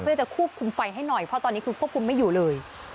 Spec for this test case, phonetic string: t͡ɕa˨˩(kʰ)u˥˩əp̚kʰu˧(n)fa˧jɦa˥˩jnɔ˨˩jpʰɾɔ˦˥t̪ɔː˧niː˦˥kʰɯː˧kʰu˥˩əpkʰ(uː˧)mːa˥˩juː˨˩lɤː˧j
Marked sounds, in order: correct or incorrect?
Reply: correct, incorrect, incorrect

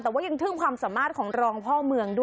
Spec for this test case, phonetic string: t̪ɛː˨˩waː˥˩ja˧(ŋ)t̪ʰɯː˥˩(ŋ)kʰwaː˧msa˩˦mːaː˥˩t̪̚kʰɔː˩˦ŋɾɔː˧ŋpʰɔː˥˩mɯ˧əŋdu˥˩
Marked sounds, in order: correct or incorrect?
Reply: correct, correct

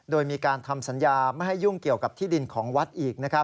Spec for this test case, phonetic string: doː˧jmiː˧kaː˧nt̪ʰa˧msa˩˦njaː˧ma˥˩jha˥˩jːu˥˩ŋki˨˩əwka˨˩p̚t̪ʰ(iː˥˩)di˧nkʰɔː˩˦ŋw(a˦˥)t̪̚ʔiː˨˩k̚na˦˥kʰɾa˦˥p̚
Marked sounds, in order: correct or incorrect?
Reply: correct, correct

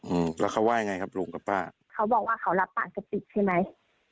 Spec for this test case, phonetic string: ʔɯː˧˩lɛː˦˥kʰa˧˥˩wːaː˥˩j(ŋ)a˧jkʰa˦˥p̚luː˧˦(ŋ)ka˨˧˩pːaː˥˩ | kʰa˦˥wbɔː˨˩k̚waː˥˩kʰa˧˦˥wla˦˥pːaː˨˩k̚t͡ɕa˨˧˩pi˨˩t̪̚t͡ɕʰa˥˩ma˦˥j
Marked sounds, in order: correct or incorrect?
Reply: correct, correct

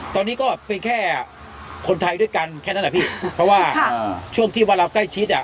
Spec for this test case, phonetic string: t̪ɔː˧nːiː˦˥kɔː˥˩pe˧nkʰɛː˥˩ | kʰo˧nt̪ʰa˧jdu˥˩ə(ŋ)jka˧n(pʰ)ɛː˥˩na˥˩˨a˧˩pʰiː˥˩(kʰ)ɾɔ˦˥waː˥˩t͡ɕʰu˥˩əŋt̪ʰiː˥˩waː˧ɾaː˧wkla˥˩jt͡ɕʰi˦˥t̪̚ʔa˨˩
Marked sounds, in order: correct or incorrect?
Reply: incorrect, incorrect, incorrect

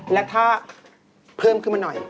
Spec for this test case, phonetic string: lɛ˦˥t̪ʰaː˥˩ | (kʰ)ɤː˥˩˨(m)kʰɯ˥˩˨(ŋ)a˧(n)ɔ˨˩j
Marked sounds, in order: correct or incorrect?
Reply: incorrect, correct, incorrect, correct

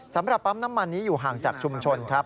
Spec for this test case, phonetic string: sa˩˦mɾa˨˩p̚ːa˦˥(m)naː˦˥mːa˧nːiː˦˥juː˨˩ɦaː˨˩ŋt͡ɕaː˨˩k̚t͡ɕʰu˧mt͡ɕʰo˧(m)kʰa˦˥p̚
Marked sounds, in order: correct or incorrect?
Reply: correct, incorrect

